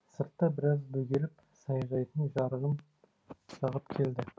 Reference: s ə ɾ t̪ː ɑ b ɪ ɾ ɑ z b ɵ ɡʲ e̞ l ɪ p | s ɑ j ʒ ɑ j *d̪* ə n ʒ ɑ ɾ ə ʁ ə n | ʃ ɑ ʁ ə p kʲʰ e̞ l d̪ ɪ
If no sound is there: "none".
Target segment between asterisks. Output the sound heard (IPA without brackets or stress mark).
t̪